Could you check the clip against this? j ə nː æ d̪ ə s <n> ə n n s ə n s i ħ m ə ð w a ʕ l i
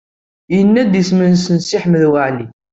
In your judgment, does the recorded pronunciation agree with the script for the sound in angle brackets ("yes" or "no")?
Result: no